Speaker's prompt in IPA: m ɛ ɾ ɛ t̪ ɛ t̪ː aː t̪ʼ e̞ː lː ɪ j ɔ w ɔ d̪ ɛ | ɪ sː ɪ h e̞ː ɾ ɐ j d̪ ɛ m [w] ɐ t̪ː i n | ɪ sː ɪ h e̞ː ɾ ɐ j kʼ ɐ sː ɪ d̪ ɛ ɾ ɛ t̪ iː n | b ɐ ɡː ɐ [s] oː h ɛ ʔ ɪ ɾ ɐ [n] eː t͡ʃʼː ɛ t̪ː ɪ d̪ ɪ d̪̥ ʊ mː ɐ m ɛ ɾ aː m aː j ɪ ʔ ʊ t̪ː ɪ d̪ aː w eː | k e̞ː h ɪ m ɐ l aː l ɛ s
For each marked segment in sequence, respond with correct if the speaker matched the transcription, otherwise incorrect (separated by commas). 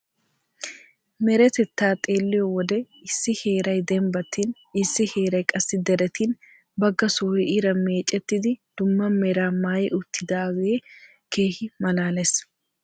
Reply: incorrect, correct, incorrect